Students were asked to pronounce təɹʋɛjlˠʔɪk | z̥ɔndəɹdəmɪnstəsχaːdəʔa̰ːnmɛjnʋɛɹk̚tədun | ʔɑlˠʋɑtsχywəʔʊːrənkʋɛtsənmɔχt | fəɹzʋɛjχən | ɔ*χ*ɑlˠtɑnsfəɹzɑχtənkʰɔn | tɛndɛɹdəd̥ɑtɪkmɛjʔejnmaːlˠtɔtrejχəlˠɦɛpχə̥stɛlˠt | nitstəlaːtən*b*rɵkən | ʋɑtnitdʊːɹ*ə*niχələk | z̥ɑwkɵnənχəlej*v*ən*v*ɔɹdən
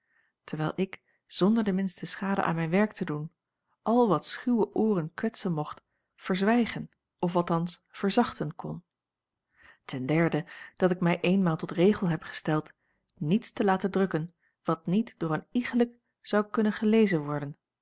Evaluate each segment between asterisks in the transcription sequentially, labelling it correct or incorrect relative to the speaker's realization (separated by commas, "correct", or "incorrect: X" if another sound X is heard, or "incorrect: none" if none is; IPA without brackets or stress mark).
incorrect: f, incorrect: d, correct, incorrect: z, incorrect: ʋ